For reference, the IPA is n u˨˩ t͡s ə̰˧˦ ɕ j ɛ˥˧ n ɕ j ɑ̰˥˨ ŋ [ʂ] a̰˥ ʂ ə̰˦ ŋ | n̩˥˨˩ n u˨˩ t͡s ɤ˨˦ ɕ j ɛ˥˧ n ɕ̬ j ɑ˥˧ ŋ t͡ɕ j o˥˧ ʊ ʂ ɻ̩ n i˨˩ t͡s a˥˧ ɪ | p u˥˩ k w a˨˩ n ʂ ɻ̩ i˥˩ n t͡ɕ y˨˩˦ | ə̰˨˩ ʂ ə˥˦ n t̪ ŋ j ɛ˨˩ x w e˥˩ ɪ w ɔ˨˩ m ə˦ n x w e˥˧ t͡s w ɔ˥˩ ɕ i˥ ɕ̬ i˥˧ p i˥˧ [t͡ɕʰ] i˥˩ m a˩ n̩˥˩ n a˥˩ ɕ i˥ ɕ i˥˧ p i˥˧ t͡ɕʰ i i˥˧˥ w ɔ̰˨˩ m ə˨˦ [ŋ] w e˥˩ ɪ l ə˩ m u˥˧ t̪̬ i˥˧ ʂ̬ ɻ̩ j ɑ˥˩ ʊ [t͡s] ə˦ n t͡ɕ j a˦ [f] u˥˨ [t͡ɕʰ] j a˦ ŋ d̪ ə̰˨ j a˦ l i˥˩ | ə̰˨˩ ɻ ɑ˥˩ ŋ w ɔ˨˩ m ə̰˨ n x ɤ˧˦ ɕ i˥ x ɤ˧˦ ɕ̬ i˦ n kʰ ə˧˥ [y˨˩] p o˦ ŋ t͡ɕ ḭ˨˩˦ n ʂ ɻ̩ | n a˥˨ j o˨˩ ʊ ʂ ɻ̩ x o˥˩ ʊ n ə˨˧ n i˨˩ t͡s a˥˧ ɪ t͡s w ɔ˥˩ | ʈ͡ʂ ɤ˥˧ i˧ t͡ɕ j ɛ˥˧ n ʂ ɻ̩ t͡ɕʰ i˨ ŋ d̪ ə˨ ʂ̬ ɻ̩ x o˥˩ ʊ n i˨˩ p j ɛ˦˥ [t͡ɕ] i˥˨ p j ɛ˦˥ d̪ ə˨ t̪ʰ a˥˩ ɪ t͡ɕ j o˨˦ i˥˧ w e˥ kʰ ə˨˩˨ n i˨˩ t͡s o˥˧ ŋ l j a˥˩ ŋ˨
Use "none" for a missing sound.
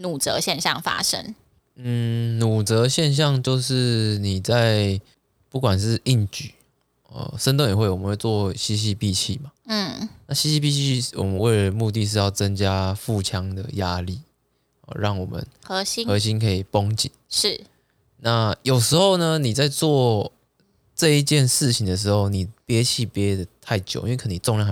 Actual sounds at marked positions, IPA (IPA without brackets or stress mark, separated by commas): f, t͡ɕʰ, n, t͡s, f, t͡ɕʰ, i˨˩, t͡ɕʰ